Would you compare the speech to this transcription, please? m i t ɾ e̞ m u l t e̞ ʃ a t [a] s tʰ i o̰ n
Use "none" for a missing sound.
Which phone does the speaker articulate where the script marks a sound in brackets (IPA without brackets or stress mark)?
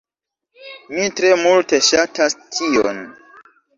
a